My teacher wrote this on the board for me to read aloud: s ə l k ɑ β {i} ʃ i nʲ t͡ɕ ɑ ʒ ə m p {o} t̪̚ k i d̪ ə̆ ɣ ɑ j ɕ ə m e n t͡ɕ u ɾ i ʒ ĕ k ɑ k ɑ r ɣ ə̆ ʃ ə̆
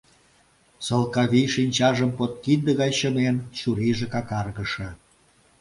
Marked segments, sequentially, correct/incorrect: correct, correct

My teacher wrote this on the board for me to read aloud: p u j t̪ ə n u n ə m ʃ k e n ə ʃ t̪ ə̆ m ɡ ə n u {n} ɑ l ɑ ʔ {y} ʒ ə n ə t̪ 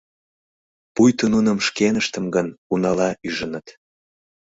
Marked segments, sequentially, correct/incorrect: correct, correct

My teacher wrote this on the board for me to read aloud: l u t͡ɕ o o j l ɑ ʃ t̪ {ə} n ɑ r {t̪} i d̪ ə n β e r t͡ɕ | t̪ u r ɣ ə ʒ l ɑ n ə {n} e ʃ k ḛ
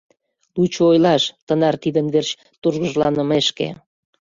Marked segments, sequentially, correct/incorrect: correct, correct, incorrect: m

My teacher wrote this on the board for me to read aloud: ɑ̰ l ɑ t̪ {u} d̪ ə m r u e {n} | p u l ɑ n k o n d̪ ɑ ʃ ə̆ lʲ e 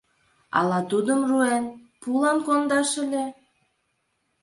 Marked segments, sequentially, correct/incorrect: correct, correct

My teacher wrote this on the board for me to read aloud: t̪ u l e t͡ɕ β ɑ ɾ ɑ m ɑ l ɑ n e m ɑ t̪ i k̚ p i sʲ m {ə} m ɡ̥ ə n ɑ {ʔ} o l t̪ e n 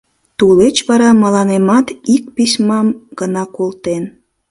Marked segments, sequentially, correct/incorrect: incorrect: ɑ, incorrect: k

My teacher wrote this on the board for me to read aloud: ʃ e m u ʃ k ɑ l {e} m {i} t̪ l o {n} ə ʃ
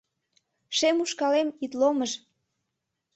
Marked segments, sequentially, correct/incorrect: correct, correct, incorrect: m

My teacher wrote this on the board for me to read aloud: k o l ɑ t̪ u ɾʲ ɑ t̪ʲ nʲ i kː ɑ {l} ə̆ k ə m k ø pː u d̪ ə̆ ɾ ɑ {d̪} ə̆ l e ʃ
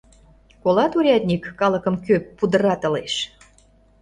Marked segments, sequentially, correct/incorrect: correct, incorrect: t̪

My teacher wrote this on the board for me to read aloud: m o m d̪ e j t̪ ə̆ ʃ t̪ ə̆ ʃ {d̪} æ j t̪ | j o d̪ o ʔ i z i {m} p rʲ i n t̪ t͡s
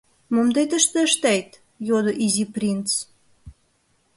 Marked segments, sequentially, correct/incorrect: incorrect: t̪, incorrect: none

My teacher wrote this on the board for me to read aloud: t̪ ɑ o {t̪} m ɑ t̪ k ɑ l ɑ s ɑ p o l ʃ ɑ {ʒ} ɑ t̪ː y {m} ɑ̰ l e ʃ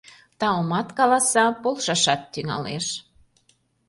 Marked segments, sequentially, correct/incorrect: incorrect: none, incorrect: ʃ, incorrect: ŋ

